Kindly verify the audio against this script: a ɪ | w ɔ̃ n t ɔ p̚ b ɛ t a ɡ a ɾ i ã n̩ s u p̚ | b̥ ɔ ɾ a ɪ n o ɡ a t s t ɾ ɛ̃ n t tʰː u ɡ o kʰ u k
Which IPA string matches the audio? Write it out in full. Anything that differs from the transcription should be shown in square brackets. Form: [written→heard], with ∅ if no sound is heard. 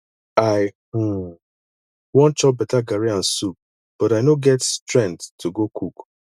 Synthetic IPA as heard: a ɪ | w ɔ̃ n [t→t͡ʃ] ɔ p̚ b ɛ t a ɡ a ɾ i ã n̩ s u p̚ | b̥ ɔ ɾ a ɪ n o ɡ [a→ɛ] t s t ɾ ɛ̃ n t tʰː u ɡ o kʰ u k